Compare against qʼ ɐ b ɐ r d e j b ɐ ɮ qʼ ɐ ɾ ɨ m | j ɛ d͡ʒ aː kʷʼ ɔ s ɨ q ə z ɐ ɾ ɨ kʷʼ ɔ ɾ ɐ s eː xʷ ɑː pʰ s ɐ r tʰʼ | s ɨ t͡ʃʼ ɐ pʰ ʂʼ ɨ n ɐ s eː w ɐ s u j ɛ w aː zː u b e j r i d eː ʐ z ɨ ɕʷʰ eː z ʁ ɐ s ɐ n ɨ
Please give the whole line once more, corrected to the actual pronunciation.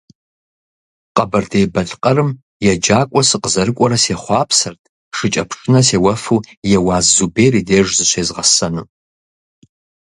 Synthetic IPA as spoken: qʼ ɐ b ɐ r d e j b ɐ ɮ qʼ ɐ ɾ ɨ m | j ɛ d͡ʒ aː kʷʼ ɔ s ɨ q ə z ɐ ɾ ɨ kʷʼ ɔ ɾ ɐ s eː χʷ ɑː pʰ s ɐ r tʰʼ | ʂ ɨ t͡ʃʼ ɐ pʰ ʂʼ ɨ n ɐ s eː w ɐ f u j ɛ w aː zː u b e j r i d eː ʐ z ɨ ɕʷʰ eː z ʁ ɐ s ɐ n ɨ

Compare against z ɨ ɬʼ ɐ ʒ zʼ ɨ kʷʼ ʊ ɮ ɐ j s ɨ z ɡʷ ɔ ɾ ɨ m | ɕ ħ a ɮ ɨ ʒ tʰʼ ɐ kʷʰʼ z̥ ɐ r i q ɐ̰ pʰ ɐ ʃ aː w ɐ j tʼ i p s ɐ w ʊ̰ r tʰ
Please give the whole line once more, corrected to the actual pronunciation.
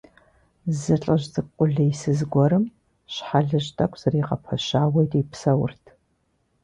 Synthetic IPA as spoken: z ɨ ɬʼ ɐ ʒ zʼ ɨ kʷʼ ʊ ɮ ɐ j s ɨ z ɡʷ ɔ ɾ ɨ m | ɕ ħ a ɮ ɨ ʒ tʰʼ ɐ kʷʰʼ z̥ ɐ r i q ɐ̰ pʰ ɐ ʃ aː w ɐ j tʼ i p s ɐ w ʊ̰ r tʰ

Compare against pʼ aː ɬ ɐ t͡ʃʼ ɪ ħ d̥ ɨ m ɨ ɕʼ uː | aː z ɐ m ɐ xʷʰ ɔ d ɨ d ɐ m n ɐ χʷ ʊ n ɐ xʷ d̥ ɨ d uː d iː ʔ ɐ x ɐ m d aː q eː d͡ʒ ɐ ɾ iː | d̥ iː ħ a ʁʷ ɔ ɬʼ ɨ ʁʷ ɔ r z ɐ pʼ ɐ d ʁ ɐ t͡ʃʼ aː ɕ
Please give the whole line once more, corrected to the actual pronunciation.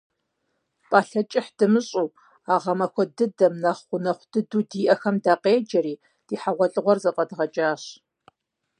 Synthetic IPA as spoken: pʼ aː ɬ ɐ t͡ʃʼ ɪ ħ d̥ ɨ m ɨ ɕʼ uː | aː ʁ ɐ m ɐ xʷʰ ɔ d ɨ d ɐ m n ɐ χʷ ʊ n ɐ χʷ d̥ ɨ d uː d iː ʔ ɐ x ɐ m d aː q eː d͡ʒ ɐ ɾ iː | d̥ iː ħ a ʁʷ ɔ ɬʼ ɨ ʁʷ ɔ r z ɐ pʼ ɐ d ʁ ɐ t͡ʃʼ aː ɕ

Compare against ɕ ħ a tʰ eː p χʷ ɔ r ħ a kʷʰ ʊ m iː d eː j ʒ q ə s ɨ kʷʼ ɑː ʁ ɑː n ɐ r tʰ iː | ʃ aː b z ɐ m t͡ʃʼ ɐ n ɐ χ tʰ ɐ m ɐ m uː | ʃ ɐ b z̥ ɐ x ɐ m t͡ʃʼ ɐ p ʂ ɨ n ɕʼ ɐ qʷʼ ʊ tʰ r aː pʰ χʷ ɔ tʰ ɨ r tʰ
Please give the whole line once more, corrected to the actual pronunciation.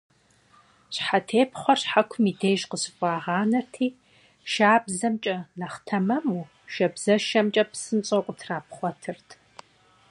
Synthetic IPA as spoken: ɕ ħ a tʰ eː p χʷ ɔ r ħ a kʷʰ ʊ m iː d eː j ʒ q ə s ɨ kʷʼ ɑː ʁ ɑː n ɐ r tʰ iː | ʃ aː b z ɐ m t͡ʃʼ ɐ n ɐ χ tʰ ɐ m ɐ m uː | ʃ ɐ b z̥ ɐ ʃ ɐ m t͡ʃʼ ɐ p s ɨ n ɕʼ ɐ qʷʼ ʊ tʰ r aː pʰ χʷ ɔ tʰ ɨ r tʰ

